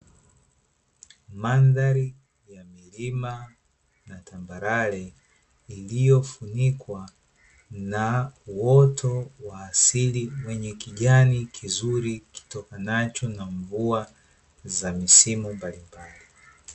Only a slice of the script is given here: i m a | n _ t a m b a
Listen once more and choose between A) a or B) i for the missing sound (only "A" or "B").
A